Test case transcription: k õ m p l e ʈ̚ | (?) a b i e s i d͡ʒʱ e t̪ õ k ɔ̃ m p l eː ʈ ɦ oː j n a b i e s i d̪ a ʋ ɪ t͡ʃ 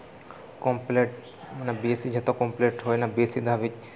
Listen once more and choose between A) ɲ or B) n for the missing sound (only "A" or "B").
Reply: B